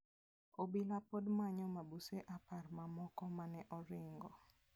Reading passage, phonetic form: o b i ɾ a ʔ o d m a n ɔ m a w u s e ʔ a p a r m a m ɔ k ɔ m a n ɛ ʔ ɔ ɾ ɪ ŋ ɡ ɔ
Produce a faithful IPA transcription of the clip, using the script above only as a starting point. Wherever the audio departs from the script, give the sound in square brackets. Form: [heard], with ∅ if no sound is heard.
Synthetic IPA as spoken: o b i [l] a [p] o d m a [ɲ] ɔ m a [b] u s e ʔ a p a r m a m ɔ k ɔ m a n ɛ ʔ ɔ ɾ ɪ ŋ ɡ ɔ